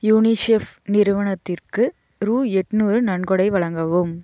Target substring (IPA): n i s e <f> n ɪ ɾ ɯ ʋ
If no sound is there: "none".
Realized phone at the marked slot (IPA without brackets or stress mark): f